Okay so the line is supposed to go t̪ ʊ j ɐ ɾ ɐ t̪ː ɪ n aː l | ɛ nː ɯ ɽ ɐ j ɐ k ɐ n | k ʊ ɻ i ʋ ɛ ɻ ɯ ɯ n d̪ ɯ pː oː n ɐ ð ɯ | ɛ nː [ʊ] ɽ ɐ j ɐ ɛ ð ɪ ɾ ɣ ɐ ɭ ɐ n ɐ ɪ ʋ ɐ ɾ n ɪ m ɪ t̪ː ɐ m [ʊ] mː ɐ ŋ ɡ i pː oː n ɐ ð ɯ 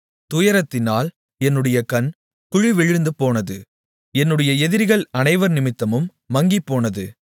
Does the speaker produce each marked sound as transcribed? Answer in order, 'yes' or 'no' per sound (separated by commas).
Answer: no, no